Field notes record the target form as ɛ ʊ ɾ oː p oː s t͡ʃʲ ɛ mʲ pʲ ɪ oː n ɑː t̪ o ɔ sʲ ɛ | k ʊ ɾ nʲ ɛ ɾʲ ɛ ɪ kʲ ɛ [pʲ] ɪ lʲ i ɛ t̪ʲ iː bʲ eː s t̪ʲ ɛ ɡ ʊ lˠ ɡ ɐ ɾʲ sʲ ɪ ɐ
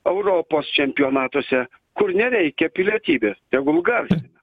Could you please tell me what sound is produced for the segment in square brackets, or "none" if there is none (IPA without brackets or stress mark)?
pʲ